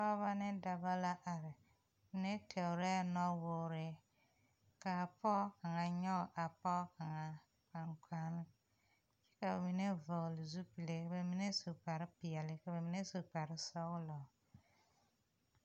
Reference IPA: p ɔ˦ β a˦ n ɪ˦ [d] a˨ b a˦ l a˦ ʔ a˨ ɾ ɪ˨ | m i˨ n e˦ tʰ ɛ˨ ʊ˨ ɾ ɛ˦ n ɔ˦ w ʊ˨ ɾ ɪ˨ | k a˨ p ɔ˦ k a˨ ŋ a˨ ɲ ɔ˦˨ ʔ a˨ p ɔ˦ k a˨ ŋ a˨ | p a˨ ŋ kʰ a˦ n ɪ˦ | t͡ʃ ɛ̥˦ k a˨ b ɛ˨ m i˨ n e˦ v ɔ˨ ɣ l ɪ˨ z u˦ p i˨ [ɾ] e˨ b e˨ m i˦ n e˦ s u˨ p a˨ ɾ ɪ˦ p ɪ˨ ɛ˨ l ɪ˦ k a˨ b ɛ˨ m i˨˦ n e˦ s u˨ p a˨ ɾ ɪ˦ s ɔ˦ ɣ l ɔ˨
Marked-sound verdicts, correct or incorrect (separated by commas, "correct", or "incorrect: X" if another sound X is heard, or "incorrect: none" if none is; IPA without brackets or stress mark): correct, incorrect: l